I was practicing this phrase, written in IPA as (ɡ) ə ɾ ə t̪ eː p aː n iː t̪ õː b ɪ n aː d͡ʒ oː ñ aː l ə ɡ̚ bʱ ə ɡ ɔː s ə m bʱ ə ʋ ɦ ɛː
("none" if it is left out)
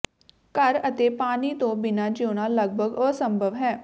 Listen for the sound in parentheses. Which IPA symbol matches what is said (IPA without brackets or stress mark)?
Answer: k